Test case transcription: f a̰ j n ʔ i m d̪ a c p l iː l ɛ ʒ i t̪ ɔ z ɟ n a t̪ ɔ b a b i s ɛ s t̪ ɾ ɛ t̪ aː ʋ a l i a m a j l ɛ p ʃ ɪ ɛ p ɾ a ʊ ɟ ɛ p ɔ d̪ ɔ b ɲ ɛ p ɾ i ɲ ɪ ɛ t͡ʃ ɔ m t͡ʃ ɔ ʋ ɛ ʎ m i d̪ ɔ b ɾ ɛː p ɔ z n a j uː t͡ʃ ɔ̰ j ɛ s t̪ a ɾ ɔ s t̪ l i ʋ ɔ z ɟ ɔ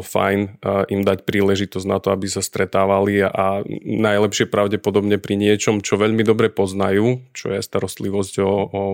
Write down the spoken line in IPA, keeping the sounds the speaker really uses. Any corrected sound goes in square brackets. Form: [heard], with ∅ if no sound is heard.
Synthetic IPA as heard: f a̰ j n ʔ i m d̪ a c p [ɾ] iː l ɛ ʒ i t̪ ɔ z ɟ n a t̪ ɔ [∅] a b i s [a] s t̪ ɾ ɛ t̪ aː ʋ a l i a [n] a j l ɛ p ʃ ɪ ɛ p ɾ a ʊ ɟ ɛ p ɔ d̪ ɔ b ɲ ɛ p ɾ i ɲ ɪ ɛ t͡ʃ ɔ m t͡ʃ ɔ ʋ ɛ ʎ m i d̪ ɔ b ɾ [ɛ] p ɔ z n a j uː t͡ʃ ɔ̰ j ɛ s t̪ a ɾ ɔ s t̪ l i ʋ ɔ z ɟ ɔ